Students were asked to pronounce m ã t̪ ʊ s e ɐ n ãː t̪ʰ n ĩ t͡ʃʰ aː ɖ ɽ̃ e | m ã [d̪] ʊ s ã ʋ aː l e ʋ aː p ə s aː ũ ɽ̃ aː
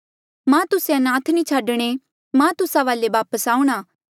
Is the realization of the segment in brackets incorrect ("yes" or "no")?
yes